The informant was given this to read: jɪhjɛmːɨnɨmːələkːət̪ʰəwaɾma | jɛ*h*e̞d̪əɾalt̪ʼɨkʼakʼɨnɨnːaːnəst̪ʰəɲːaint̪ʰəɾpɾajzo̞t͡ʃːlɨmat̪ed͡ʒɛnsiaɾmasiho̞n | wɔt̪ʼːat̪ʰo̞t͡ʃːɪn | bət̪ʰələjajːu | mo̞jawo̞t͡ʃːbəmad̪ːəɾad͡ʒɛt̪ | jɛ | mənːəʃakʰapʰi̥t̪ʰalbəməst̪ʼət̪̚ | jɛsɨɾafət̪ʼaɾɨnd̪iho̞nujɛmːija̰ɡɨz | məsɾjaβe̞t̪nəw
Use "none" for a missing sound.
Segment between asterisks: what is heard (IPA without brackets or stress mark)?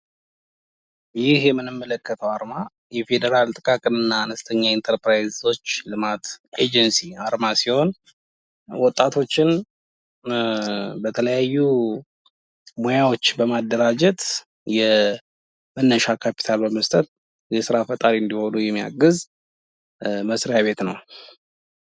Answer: f